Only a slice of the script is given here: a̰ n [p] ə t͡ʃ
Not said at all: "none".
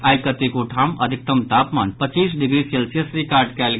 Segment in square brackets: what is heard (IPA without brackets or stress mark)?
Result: p